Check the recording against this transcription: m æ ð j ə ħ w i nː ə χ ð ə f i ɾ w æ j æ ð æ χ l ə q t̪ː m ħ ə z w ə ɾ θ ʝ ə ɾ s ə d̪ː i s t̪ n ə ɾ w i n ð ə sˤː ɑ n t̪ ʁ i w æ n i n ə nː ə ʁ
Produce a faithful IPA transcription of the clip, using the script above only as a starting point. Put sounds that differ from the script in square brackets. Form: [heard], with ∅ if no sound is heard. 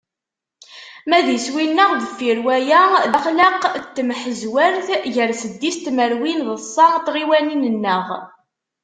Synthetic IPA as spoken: m æ ð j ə [s] w i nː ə [ʁ] ð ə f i ɾ w æ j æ ð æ χ l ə q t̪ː m ħ ə z w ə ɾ θ ʝ ə ɾ s ə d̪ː i s t̪ [m] ə ɾ w i n ð ə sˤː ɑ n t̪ ʁ i w æ n i n ə nː ə ʁ